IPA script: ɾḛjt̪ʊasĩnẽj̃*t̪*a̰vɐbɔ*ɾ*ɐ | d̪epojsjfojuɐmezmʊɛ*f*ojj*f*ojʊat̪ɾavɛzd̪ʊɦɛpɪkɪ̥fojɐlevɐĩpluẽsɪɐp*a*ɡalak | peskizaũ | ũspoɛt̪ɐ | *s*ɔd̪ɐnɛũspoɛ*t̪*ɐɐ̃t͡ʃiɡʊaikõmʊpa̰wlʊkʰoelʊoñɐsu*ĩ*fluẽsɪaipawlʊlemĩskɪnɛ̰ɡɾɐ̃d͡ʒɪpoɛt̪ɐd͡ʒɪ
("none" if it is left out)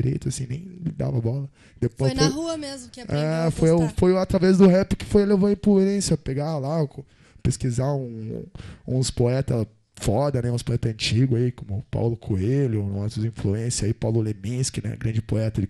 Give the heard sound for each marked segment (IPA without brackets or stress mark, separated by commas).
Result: d̪, l, f, f, e, f, t̪, ĩ